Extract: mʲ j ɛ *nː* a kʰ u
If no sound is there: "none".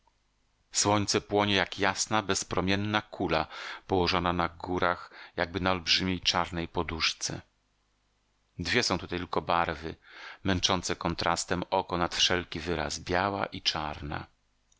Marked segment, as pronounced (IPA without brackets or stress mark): nː